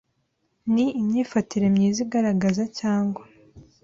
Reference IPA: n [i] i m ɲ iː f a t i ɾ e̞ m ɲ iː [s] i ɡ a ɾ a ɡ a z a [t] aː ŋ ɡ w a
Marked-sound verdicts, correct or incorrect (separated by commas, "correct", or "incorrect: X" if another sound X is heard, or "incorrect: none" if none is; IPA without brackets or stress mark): correct, incorrect: z, incorrect: c